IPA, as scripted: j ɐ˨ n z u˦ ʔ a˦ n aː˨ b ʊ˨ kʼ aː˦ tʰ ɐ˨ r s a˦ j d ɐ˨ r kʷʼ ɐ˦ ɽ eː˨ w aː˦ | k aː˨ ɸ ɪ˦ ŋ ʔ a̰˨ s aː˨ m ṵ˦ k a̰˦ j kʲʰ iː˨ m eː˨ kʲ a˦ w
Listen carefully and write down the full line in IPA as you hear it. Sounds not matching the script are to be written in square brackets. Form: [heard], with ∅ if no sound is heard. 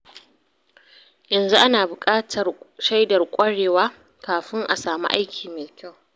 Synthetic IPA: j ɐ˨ n z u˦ ʔ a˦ n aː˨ b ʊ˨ kʼ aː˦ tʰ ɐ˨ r [ʃ] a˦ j d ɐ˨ r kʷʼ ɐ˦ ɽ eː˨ w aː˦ | k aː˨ ɸ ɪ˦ ŋ ʔ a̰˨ s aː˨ m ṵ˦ [ʔ] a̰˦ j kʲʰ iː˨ m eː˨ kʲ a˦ w